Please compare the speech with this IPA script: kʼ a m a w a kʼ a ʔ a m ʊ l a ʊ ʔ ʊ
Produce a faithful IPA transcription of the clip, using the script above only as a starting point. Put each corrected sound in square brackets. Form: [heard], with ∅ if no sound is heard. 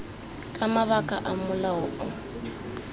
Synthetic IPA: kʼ a m a [β] a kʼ a ʔ a m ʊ l a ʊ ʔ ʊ